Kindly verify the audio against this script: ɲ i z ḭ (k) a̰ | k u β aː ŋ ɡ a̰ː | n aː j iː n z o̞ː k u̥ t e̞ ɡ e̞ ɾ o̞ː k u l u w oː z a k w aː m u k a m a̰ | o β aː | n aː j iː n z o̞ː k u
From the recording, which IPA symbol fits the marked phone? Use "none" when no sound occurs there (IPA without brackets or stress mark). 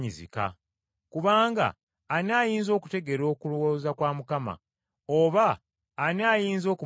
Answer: k